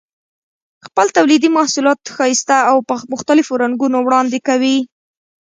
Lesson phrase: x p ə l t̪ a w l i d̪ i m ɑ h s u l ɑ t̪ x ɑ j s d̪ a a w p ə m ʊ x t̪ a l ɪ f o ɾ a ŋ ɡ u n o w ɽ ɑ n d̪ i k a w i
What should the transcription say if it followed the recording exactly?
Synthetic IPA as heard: x p ə l t̪ a w l i d̪ i m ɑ h s u l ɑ t̪ x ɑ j s t̪ a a w p ə m ʊ x t̪ a l ɪ f o ɾ a ŋ ɡ u n o w ɽ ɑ n d̪ e k a w i